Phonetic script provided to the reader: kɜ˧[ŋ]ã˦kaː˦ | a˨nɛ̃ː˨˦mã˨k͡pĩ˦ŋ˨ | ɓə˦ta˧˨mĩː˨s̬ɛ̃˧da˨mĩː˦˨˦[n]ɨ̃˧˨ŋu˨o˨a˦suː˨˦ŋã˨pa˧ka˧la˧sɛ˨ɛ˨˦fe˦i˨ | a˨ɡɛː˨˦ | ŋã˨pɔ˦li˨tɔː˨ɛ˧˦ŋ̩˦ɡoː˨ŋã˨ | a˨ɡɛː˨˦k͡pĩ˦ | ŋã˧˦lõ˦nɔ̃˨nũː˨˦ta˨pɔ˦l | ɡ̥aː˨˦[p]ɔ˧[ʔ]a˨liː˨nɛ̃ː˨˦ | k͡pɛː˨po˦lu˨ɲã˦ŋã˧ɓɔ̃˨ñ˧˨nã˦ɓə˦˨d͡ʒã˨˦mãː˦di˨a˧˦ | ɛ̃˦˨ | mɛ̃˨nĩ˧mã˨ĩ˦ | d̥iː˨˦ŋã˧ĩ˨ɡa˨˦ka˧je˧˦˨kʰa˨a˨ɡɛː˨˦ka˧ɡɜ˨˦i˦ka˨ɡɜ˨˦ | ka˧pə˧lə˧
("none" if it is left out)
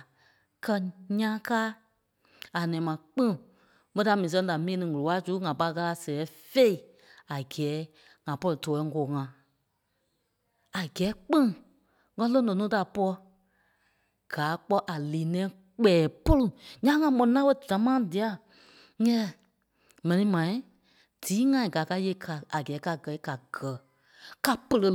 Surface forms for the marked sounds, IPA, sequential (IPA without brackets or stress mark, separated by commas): ɲ, n, k͡p, ʔ